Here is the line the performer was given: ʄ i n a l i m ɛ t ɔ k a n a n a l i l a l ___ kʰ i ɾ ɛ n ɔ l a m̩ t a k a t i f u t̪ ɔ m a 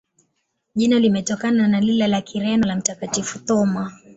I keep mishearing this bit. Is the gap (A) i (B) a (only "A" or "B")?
B